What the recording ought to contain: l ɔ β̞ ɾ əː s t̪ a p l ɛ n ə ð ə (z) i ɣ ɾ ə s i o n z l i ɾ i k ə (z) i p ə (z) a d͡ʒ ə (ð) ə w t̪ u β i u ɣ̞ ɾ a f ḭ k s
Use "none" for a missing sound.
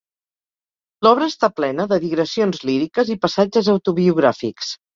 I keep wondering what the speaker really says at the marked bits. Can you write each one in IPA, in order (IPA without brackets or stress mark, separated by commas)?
ð, z, s, z